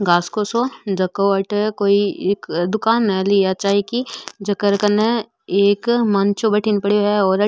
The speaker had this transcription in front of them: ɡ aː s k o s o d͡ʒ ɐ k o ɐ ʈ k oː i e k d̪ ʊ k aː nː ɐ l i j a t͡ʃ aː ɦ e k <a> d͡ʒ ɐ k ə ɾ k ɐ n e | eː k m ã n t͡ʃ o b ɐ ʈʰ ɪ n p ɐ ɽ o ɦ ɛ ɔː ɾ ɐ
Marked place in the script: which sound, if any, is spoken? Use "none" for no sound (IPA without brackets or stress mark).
i